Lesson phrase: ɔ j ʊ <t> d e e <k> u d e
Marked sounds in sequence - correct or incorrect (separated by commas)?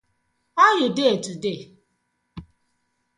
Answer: incorrect, incorrect